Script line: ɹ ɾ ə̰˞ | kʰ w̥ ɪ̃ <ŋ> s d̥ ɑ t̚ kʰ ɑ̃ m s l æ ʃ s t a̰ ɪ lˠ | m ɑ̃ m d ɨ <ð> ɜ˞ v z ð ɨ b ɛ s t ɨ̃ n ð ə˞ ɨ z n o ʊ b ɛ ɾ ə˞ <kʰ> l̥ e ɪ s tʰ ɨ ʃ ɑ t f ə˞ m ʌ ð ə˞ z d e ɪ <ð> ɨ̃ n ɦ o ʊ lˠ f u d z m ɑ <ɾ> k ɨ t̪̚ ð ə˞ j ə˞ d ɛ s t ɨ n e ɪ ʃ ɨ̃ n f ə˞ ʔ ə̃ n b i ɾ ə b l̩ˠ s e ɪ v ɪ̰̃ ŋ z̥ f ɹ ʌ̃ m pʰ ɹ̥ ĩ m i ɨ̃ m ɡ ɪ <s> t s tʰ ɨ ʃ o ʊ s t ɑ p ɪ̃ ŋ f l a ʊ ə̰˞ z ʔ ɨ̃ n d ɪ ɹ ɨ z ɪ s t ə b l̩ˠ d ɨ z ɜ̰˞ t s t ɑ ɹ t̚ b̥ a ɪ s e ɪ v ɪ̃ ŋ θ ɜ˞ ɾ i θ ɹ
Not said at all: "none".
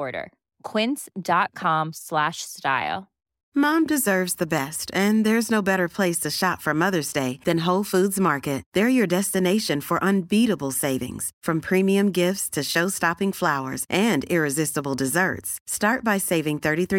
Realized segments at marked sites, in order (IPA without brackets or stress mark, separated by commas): n, z, pʰ, ð, ɹ, f